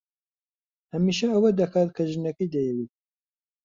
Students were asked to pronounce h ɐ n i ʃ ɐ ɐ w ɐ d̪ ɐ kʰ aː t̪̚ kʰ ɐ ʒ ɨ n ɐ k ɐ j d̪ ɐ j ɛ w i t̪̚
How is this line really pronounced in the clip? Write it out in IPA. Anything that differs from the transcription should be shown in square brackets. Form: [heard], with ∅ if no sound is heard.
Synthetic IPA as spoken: h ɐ [m] i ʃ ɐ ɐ w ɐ d̪ ɐ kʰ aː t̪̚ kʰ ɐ ʒ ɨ n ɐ k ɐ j d̪ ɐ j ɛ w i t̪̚